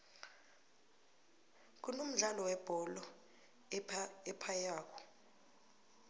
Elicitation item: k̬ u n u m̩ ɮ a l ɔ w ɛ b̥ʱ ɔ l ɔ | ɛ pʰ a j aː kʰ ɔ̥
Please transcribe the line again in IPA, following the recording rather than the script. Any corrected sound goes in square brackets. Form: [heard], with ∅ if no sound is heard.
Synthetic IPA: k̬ u n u m̩ ɮ a l ɔ w ɛ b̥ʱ ɔ l ɔ | ɛ pʰ a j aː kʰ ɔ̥